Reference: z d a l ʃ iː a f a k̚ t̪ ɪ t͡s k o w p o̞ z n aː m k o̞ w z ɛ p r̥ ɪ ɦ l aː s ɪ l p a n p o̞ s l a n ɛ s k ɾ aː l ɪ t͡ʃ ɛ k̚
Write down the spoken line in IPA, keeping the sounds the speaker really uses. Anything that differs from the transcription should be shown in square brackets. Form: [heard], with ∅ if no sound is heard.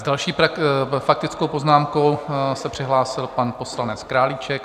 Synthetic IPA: z d a l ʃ iː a f a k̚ t̪ ɪ t͡s k o w p o̞ z n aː m k o̞ w [s] ɛ p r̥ ɪ ɦ l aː s ɪ l p a n p o̞ s l a n ɛ [t͡s] k ɾ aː l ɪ t͡ʃ ɛ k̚